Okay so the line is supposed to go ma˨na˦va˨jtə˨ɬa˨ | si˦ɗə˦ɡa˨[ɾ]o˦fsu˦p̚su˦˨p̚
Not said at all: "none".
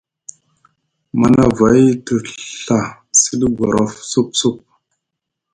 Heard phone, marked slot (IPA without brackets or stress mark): ɾ